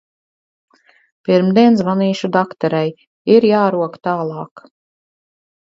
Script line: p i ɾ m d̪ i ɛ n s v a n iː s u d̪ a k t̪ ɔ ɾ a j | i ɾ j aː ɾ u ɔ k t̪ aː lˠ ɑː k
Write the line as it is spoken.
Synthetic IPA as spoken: p i ɾ m d̪ i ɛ n s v a n iː ʃ u d̪ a k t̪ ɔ ɾ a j | i ɾ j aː ɾ u ɔ k t̪ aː lˠ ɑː k